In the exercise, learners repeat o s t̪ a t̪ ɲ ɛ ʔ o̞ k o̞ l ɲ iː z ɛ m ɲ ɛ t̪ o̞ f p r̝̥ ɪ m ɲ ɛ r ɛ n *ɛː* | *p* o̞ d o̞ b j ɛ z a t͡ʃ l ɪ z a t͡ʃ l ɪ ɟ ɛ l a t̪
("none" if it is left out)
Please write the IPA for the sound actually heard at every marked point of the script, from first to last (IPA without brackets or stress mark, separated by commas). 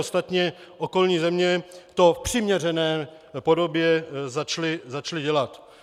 ɛː, p